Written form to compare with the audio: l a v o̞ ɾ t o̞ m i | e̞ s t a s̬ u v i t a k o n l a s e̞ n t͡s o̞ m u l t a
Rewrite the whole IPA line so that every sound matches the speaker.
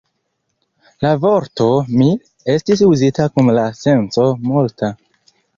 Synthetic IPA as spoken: l a v o̞ ɾ t o̞ m i | e̞ s t i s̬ u z i t a k u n l a s e̞ n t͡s o̞ m u l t a